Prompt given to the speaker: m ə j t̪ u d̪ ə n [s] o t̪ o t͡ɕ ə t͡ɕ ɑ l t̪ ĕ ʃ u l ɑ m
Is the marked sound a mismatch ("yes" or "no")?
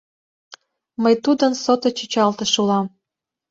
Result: no